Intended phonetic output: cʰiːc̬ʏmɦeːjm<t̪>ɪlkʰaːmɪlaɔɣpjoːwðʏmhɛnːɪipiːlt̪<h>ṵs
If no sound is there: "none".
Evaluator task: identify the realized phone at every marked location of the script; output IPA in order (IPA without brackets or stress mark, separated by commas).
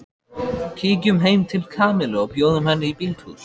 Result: t̪ʰ, h